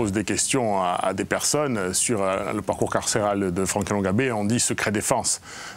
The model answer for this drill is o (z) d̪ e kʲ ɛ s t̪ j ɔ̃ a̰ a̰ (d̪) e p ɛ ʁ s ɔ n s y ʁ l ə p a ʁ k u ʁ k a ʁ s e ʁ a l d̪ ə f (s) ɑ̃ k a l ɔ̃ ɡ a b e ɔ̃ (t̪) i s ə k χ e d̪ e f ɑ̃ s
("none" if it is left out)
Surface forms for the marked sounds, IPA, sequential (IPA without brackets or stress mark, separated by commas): z, d̪, χ, d̪